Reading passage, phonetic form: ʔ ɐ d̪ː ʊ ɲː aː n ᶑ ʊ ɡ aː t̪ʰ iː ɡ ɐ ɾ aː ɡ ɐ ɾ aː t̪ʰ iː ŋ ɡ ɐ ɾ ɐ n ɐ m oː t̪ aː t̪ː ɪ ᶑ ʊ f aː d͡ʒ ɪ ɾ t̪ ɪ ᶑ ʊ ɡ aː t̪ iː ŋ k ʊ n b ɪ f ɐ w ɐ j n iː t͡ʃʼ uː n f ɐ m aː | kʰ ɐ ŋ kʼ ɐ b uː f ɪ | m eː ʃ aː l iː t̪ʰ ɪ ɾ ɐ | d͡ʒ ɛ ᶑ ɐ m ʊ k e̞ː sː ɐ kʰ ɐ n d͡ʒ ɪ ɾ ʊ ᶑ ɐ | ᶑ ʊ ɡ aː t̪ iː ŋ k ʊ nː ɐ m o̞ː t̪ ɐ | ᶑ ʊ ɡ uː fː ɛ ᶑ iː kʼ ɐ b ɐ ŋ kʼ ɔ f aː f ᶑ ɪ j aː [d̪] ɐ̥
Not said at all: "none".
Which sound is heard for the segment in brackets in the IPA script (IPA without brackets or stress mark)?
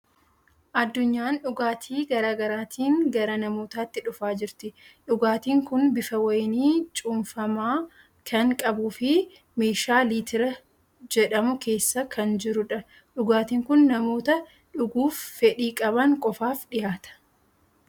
t̪